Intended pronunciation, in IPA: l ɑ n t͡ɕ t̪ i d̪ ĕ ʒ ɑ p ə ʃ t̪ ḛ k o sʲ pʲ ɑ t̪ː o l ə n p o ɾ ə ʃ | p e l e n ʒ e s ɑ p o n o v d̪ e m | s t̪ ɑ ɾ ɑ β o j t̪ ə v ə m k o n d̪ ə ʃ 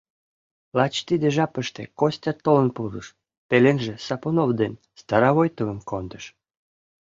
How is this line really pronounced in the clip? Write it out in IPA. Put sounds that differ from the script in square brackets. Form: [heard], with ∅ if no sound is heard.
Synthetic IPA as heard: l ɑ [∅] t͡ɕ t̪ i d̪ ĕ ʒ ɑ p ə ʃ t̪ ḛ k o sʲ [tʲ] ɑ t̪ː o l ə n p [u] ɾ ə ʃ | p e l e n ʒ e s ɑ p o n o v d̪ e [n] | s t̪ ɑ ɾ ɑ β o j t̪ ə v ə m k o n d̪ ə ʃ